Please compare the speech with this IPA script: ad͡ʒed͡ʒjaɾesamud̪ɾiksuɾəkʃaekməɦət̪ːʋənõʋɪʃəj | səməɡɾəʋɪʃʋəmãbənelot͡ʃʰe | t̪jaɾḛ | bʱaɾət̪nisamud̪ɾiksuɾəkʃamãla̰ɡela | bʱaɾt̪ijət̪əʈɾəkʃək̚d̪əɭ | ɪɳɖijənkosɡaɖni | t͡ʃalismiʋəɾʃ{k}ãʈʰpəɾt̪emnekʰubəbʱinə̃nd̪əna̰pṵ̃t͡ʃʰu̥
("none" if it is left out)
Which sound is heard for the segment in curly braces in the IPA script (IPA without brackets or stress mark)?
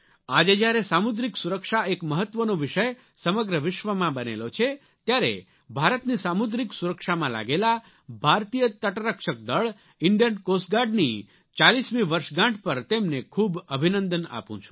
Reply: ɡ